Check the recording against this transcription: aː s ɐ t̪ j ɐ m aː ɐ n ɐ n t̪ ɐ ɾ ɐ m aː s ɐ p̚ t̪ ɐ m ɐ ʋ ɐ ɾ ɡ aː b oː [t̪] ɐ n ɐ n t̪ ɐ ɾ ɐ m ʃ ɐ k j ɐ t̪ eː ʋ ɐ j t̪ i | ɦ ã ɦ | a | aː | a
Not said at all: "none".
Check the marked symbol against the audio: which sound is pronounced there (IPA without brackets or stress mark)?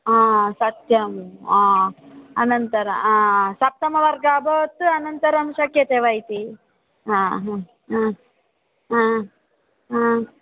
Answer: t̪